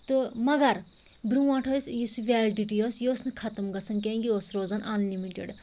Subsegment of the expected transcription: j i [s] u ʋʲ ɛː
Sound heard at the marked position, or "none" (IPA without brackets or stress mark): s